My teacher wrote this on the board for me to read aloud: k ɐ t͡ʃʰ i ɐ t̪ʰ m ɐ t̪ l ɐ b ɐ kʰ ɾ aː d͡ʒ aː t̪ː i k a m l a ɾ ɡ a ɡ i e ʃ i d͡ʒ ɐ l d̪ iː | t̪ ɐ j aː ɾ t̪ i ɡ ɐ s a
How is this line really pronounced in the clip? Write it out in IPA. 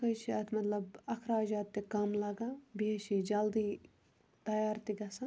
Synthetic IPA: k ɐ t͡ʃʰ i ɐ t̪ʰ m ɐ t̪ l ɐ b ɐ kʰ ɾ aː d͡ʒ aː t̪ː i k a m l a ɡ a b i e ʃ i d͡ʒ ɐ l d̪ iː | t̪ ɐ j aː ɾ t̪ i ɡ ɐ s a